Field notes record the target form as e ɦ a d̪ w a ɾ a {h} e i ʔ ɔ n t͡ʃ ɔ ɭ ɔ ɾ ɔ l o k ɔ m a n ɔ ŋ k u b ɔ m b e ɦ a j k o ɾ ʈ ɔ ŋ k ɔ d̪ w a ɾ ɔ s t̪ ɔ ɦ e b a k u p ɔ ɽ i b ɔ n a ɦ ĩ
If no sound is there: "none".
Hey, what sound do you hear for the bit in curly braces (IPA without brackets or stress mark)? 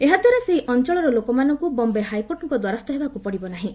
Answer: s